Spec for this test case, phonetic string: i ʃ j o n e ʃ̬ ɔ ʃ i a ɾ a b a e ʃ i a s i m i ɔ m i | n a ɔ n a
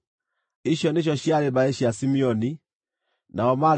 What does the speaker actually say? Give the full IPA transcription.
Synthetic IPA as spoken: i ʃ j ɔ n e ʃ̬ ɔ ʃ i a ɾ e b a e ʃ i a s i m i ɔ n i | n a ɔ m a